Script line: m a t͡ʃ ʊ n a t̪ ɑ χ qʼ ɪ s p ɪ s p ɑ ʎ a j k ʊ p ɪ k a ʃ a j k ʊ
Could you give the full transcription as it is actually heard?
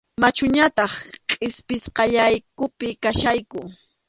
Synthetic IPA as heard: m a t͡ʃ ʊ ɲ a t̪ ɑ χ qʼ ɪ s p ɪ s q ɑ ʎ a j k ʊ p ɪ k a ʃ a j k ʊ